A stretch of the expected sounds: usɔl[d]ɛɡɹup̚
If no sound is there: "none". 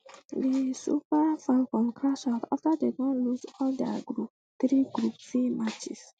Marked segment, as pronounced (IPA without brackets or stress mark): d